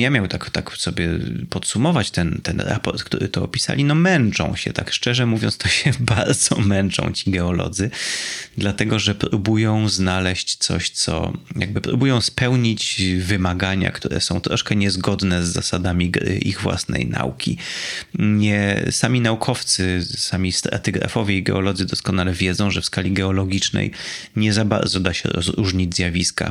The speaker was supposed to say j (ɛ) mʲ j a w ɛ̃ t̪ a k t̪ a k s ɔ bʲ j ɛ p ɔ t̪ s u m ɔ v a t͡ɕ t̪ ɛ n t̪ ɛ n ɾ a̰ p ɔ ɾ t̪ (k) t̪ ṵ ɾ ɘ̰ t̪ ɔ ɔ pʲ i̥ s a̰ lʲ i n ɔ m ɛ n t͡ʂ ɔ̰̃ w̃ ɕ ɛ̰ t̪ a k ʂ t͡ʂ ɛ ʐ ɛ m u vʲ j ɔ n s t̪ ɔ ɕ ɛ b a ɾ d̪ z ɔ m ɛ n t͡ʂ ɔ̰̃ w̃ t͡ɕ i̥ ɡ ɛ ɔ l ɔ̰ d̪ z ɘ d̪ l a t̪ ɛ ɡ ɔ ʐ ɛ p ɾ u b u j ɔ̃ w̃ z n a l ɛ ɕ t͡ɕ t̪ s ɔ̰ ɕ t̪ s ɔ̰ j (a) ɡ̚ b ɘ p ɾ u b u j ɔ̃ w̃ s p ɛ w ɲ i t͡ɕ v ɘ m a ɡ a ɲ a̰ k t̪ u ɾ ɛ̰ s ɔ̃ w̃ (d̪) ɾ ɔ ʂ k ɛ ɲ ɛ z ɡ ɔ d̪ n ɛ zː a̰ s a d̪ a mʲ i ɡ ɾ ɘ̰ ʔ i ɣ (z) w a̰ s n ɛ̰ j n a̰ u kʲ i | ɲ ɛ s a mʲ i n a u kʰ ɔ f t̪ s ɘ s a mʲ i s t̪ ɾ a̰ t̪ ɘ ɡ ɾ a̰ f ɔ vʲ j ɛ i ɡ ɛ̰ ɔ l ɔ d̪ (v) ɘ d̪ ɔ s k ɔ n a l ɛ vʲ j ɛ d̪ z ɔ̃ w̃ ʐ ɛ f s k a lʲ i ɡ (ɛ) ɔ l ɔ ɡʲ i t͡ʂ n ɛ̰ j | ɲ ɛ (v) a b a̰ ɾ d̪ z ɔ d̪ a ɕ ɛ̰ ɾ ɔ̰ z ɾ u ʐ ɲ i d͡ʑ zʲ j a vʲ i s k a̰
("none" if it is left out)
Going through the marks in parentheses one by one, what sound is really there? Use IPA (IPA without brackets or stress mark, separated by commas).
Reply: a, k, a, t̪, v, z, ɛ, z